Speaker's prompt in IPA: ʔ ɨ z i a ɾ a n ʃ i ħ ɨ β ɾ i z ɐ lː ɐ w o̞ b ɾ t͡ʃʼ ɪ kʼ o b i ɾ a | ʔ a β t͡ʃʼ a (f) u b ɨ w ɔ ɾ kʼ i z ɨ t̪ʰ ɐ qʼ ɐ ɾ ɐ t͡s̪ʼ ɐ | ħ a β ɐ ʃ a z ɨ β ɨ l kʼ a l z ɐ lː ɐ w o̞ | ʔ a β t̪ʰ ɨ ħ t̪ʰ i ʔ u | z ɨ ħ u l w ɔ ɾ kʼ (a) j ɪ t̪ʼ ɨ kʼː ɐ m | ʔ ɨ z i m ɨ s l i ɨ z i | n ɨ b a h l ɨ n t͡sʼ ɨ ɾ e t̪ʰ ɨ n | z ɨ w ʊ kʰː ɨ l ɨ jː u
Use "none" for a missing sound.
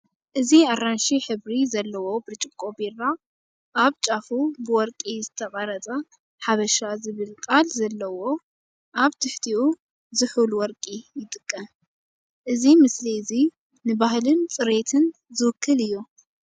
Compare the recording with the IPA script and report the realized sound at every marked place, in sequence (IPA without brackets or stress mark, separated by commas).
f, i